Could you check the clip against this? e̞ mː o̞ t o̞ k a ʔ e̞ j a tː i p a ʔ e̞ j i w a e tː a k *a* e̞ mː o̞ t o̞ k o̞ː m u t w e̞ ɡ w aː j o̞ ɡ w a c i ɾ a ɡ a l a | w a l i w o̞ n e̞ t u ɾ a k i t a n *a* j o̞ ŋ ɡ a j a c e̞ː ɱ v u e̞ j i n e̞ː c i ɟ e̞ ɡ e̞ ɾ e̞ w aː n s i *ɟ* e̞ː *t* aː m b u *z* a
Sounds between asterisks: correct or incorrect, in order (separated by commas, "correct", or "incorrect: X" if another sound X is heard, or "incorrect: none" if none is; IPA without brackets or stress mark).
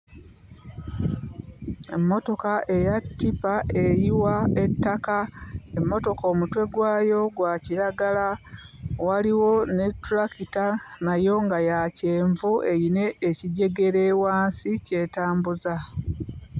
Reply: correct, correct, incorrect: c, correct, correct